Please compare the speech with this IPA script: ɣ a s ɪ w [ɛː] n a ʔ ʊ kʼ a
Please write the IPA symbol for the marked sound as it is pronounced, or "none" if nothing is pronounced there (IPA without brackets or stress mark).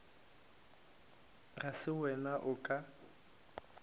ɛ